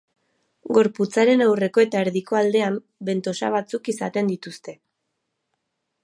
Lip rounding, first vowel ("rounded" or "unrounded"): rounded